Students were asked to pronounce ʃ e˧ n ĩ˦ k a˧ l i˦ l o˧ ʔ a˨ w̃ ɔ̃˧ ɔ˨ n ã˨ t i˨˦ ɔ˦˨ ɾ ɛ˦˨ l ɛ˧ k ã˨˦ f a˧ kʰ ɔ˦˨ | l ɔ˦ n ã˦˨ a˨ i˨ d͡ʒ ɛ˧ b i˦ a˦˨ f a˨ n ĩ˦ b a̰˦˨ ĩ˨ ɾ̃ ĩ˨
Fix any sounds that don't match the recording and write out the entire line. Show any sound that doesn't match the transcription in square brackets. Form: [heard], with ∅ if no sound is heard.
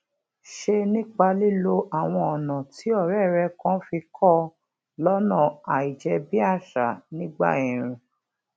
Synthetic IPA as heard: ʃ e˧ n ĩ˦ [k͡p] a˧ l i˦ l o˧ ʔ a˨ w̃ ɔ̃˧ ɔ˨ n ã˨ t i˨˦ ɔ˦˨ ɾ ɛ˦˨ [ɾ] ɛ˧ k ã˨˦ f [i˧] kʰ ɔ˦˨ | l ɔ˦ n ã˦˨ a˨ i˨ d͡ʒ ɛ˧ b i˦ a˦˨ [ʃ] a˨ n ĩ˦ [ɡ͡b] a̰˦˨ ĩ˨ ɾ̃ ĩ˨